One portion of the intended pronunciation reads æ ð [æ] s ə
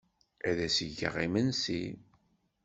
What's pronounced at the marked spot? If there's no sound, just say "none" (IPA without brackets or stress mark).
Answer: æ